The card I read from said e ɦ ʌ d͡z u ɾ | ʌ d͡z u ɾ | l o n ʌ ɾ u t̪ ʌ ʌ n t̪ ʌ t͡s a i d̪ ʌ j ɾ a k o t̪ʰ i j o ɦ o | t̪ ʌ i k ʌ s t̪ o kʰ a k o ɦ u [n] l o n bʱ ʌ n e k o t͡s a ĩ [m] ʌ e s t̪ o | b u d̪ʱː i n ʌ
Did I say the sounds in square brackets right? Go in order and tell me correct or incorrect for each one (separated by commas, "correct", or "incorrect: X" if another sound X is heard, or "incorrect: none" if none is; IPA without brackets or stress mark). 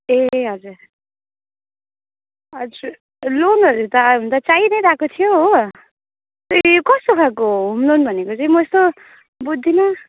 incorrect: m, correct